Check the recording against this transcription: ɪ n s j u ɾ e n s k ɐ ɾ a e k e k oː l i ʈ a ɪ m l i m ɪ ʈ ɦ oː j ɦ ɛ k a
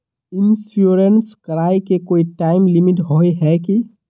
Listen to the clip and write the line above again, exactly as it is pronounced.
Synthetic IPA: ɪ n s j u ɾ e n s k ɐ ɾ a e k e k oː i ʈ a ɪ m l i m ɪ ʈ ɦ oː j ɦ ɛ k i